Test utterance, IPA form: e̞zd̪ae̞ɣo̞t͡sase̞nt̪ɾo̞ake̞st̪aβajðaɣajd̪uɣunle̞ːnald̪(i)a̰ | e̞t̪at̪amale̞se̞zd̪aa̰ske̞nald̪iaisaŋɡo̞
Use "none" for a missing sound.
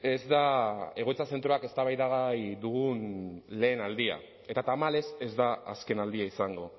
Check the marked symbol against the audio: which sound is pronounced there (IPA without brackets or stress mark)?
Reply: i